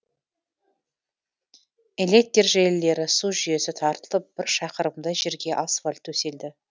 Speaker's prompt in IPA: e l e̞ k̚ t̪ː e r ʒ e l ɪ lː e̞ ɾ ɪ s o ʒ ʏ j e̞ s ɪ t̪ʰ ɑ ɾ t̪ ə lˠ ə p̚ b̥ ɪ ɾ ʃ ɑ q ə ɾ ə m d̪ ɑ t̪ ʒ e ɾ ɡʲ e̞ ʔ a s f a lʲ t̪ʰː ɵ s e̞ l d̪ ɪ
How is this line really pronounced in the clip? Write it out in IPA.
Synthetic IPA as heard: e l e̞ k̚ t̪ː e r ʒ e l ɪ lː e̞ ɾ ɪ s u ʒ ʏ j e̞ s ɪ t̪ʰ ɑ ɾ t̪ ə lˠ ə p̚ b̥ ɪ ɾ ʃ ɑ q ə ɾ ə m d̪ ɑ ʒ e ɾ ɡʲ e̞ ʔ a s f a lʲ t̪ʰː ɵ s e̞ l d̪ ɪ